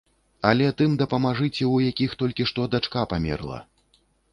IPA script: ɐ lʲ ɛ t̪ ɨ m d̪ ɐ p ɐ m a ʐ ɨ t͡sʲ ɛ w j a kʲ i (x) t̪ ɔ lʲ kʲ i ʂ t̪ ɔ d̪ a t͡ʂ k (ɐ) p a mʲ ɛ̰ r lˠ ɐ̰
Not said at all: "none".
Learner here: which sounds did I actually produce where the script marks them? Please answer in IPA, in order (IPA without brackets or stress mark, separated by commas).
x, a